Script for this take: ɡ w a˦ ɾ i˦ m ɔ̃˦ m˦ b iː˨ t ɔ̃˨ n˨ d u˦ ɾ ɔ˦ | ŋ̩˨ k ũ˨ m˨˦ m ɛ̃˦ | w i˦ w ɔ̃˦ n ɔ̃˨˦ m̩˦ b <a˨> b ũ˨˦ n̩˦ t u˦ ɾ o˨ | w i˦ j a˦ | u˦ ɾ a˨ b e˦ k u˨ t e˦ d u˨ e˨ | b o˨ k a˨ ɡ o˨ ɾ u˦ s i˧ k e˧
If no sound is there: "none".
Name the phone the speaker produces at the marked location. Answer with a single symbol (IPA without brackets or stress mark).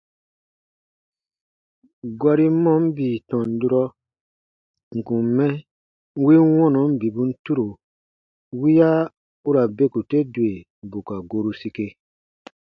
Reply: i˨